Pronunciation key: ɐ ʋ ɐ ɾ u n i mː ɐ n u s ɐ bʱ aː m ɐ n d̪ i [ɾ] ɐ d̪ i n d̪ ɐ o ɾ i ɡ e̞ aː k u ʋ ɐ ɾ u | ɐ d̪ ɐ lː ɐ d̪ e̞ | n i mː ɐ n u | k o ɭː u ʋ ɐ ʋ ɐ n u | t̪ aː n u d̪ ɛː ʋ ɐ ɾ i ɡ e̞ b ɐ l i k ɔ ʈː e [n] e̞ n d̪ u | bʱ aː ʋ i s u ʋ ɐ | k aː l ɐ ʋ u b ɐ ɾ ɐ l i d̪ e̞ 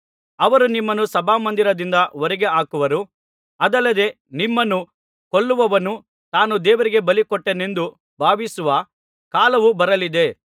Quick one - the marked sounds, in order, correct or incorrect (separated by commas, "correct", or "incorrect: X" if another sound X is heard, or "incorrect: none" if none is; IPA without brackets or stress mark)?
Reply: correct, correct